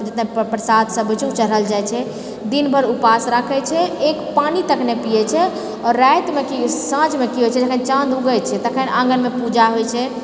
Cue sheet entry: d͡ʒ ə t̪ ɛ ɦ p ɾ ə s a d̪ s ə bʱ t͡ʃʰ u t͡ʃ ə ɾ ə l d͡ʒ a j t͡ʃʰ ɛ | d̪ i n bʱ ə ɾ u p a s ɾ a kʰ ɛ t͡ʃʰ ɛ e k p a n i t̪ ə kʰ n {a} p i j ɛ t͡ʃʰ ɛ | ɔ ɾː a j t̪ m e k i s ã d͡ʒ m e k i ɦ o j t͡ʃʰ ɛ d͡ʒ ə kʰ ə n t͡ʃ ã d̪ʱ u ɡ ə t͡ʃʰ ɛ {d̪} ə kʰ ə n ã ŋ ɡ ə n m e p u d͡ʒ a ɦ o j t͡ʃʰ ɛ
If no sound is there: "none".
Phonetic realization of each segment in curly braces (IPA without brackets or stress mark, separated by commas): e, t̪